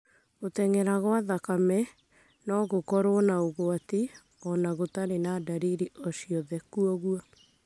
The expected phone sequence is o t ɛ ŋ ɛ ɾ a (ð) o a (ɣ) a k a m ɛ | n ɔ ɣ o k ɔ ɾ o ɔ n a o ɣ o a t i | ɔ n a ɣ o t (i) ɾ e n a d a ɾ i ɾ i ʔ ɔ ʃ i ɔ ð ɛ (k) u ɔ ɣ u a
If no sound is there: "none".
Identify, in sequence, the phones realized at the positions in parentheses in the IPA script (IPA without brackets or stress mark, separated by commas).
ɣ, ð, a, k